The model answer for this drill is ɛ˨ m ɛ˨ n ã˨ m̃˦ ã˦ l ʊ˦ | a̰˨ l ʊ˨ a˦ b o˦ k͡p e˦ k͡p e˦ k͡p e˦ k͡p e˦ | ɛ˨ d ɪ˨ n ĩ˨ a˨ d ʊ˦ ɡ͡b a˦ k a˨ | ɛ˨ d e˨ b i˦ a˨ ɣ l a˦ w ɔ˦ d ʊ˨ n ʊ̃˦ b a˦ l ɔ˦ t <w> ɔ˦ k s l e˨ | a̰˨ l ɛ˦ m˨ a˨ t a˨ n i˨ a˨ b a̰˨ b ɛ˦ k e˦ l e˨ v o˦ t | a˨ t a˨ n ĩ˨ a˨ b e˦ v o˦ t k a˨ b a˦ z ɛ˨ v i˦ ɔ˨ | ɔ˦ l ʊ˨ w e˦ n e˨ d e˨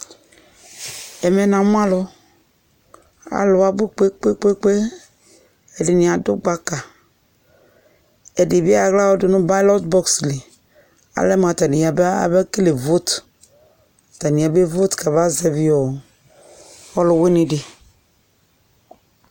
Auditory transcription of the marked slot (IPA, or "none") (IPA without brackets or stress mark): b